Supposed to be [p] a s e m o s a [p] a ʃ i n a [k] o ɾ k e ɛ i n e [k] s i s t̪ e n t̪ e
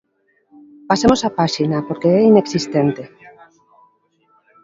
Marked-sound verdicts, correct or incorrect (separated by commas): correct, correct, incorrect, correct